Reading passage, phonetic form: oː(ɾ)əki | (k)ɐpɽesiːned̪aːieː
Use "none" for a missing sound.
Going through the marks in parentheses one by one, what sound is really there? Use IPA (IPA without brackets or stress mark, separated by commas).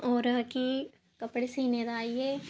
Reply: ɾ, k